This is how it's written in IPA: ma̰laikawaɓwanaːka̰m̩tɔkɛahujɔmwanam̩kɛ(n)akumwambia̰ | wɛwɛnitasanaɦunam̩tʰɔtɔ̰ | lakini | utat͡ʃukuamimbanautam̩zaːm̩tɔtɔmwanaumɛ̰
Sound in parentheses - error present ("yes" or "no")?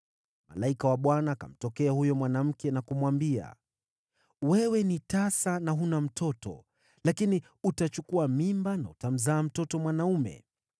no